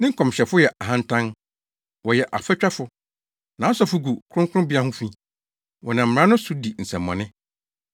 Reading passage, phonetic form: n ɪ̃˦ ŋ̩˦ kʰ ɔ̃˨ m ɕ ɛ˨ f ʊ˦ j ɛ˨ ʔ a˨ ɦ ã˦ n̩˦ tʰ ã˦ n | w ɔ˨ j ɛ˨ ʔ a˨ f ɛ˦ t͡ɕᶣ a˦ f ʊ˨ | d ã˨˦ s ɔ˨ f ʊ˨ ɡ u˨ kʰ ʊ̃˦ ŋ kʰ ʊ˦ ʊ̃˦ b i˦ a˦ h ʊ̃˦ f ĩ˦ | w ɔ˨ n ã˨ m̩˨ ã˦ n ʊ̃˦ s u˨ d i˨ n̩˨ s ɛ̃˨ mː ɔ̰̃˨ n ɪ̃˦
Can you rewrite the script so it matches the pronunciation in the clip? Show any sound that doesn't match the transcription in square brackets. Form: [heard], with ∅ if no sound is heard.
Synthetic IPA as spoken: n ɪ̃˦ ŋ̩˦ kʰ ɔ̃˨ m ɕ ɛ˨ f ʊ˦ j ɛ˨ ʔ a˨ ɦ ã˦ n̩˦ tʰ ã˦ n | w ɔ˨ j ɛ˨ ʔ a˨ f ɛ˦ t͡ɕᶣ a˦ f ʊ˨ | [n] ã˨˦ s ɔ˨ f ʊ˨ ɡ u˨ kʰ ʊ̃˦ ŋ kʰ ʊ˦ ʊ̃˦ b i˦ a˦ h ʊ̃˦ f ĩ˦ | w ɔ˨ n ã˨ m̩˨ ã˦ n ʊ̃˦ s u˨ d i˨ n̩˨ s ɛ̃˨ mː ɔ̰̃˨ n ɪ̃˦